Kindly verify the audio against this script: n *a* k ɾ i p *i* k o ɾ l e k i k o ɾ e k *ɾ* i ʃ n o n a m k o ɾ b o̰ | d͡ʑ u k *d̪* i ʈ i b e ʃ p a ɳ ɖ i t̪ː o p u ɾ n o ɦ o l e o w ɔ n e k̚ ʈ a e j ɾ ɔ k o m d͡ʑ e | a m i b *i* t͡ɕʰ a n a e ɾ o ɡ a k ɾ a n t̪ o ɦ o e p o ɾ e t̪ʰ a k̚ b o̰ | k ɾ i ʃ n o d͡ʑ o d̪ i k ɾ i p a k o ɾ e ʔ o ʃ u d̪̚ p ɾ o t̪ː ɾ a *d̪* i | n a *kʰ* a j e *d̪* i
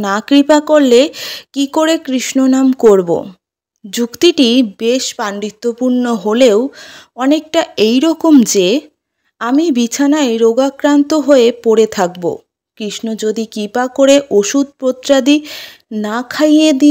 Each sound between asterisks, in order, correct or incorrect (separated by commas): correct, incorrect, correct, incorrect, correct, correct, correct, correct